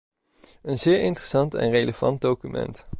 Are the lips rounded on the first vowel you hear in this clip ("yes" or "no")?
no